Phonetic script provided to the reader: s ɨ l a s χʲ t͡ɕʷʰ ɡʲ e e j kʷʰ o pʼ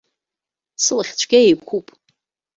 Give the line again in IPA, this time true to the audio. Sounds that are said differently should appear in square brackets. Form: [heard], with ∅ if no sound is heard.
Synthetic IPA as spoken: s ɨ l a [∅] χʲ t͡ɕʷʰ ɡʲ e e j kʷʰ [u] pʼ